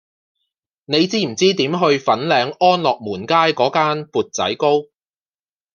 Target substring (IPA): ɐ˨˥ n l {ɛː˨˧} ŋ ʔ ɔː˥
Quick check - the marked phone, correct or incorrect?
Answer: correct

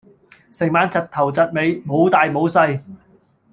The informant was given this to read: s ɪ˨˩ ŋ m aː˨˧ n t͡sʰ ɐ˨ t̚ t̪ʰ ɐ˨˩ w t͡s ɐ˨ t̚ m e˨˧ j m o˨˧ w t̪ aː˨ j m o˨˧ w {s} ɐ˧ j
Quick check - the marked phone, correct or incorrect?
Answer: correct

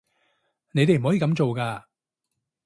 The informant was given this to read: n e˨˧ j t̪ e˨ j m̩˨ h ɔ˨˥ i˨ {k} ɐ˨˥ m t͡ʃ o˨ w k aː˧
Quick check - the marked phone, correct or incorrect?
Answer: correct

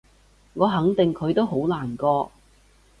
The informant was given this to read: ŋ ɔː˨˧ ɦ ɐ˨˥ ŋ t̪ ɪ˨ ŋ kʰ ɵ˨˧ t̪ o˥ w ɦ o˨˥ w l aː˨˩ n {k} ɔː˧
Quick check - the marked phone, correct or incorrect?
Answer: correct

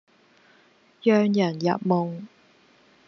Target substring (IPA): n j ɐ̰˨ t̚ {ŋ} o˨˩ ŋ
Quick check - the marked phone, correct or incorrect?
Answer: incorrect: m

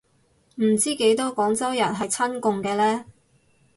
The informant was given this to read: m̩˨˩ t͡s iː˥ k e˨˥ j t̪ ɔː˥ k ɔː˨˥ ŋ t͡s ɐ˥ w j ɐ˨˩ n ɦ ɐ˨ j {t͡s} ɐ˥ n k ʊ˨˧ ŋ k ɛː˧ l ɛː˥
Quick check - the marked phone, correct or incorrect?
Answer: incorrect: t͡sʰ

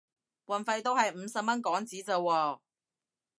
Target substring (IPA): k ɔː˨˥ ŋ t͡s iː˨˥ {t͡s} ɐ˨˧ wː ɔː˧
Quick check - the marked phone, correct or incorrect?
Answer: correct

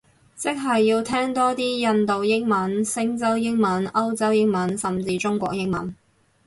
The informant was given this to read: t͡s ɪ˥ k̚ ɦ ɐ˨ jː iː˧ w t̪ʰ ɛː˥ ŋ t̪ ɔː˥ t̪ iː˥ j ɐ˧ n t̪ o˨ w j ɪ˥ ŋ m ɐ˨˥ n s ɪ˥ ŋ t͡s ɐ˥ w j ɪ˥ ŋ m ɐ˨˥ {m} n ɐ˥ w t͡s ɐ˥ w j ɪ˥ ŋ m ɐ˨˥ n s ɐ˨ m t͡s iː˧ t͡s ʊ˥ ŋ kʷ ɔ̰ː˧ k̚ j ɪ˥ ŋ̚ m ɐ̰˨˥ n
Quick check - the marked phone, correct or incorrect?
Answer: incorrect: none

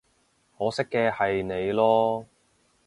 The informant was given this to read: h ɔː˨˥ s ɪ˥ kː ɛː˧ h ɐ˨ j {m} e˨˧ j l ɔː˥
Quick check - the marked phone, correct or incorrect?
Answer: incorrect: n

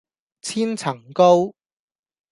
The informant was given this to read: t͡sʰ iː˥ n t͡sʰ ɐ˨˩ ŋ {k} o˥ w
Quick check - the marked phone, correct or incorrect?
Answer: correct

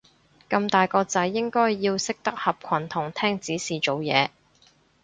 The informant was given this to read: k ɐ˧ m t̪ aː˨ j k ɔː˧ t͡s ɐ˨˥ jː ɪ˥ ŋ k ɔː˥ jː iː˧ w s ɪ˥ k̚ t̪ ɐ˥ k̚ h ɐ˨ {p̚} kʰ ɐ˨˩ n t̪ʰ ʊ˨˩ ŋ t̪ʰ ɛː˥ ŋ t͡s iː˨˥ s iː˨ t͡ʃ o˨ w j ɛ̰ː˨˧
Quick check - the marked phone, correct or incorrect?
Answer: correct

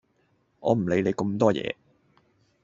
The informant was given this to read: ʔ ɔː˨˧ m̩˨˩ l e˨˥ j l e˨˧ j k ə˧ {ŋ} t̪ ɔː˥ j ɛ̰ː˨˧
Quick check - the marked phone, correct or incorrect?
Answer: incorrect: m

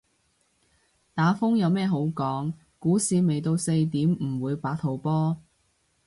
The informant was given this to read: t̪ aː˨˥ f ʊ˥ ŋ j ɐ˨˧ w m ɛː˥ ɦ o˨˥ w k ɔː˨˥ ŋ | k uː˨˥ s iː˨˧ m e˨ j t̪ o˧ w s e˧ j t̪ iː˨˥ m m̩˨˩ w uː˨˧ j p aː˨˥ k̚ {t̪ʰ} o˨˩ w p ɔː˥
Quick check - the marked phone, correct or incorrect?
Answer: correct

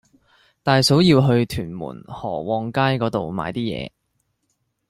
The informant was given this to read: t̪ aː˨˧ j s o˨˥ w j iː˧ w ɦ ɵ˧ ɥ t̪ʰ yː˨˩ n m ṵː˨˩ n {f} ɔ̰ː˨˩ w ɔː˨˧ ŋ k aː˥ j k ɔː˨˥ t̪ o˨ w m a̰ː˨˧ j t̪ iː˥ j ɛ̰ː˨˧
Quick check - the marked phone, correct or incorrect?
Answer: incorrect: h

